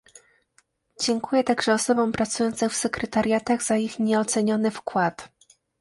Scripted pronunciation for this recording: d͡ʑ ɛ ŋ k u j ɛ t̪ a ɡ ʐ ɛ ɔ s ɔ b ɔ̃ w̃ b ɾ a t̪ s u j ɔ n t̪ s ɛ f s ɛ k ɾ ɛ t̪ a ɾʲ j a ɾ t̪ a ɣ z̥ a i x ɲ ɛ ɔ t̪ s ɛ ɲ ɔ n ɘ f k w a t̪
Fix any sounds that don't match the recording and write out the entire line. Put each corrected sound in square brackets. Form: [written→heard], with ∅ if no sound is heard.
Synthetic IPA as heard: d͡ʑ ɛ ŋ k u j ɛ t̪ a ɡ ʐ ɛ ɔ s ɔ b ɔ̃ w̃ [b→p] ɾ a t̪ s u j ɔ n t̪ s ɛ f s ɛ k ɾ ɛ t̪ a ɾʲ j a [ɾ→∅] t̪ a ɣ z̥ a i x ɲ ɛ ɔ t̪ s ɛ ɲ ɔ n ɘ f k w a t̪